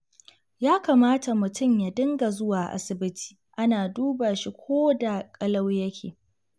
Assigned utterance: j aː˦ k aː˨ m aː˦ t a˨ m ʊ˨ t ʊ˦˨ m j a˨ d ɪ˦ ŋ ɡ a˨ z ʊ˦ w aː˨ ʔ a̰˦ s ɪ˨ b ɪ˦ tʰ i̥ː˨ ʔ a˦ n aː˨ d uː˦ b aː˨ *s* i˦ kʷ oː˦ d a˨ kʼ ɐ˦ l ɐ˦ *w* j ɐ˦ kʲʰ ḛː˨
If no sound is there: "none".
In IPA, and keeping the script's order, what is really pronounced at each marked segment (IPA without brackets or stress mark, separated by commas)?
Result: ʃ, w